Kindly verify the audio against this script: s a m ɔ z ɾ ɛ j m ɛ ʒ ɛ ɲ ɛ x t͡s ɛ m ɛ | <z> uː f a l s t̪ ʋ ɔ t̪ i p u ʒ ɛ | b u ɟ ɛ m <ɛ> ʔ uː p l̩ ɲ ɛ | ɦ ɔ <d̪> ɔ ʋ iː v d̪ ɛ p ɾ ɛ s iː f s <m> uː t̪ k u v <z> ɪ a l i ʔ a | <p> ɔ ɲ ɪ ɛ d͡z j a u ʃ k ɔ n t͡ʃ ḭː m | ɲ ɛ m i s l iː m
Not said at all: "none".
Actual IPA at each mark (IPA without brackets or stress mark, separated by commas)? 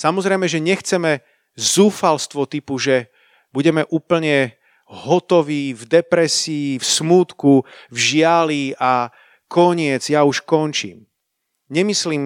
z, ɛ, t̪, m, ʒ, k